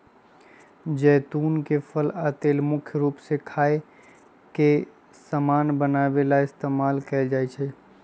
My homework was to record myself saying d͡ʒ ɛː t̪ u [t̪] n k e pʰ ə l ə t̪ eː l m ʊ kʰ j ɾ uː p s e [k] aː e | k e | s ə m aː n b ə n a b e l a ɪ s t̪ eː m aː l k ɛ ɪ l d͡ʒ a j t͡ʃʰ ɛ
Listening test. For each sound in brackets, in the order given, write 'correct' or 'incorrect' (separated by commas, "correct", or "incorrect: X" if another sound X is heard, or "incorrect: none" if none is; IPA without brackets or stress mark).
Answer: incorrect: none, incorrect: kʰ